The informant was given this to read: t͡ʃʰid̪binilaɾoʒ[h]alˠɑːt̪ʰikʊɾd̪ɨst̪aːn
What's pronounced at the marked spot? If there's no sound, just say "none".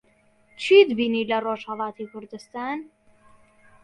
h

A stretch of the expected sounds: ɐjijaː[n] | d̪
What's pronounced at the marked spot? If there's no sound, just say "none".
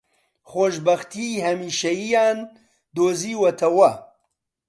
n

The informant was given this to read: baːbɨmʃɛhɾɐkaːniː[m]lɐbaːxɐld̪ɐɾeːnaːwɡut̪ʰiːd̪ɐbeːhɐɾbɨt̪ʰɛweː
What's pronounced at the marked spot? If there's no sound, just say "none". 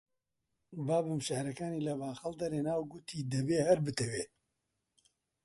none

